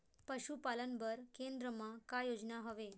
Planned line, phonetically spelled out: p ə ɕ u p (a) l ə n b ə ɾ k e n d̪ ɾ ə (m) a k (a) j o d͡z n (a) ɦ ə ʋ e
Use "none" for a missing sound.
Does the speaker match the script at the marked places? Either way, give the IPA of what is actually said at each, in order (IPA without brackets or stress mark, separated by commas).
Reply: a, m, a, a